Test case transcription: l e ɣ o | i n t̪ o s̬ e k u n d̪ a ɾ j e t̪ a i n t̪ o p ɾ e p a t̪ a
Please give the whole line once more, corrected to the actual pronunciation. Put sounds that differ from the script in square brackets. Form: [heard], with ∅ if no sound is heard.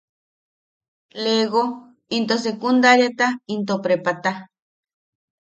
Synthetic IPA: l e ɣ o | i n t̪ o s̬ e k u n d̪ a ɾ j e t̪ a i n t̪ o p ɾ e p a t̪ a

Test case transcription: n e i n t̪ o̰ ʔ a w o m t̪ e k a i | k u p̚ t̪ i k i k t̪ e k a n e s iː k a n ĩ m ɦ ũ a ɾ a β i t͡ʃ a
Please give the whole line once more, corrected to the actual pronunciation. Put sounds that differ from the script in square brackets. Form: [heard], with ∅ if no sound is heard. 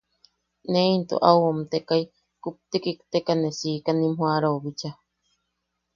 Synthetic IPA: n e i n t̪ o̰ ʔ a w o m t̪ e k a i | k u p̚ t̪ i k i k t̪ e k a n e s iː k a n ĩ m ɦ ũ a ɾ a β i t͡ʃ a

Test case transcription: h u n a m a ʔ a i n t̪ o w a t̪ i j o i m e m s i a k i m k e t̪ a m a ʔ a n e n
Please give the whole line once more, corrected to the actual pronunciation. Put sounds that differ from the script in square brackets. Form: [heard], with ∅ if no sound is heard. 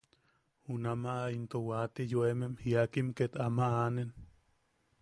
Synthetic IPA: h u n a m a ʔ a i n t̪ o w a t̪ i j o [e] m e m [h] i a k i m k e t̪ a m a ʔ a n e n

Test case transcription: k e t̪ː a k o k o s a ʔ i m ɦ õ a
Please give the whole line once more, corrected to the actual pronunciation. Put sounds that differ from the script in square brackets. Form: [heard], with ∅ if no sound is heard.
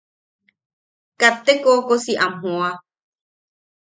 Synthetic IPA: k [a] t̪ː [e] k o k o s [i] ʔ [a] m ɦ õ a

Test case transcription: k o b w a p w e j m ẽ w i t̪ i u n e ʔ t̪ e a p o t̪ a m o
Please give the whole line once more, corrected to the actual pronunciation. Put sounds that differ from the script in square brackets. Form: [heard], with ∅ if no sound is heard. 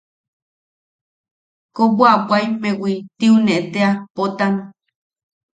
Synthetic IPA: k o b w a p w [a] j m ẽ w i t̪ i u n e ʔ t̪ e a p o t̪ a [n] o

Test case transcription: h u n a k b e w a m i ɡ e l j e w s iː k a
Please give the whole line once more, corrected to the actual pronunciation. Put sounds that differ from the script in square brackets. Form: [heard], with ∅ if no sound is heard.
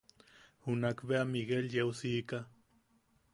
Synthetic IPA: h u n a k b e [∅] a m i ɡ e l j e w s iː k a

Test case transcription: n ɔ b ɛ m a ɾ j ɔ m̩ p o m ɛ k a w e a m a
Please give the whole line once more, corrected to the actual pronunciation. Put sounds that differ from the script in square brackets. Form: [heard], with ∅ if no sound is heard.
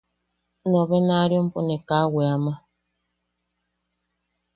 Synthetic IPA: n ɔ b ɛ [n] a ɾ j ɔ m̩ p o [n] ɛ k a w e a m a

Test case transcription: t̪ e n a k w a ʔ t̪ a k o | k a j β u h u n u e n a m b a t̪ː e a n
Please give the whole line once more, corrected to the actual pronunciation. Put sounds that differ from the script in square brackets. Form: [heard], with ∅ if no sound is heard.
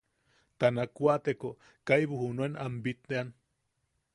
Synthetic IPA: t̪ [a] n a k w a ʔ t̪ [e] k o | k a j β u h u n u e n a m b [i] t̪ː e a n

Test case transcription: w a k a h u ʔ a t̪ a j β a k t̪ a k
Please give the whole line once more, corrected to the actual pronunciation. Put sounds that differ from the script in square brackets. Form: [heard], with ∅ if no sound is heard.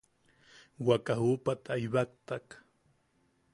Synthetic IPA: w a k a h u [p] a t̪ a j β a k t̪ a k

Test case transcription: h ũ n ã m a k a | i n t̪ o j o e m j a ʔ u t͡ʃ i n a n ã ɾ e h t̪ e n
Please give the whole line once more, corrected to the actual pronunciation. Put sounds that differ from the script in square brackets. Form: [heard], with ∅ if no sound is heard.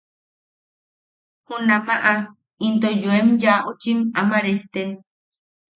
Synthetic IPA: h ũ n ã m a [ʔ] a | i n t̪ o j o e m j a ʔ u t͡ʃ i [m] a [m] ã ɾ e h t̪ e n

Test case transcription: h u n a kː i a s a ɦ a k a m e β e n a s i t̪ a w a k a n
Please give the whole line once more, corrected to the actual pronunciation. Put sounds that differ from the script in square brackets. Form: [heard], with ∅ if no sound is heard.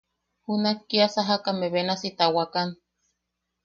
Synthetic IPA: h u n a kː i a s a ɦ a k a m e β e n a s i t̪ a w a k a n

